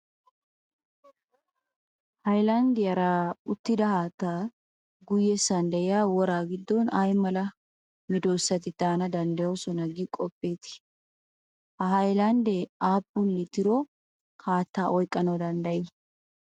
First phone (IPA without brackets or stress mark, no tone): h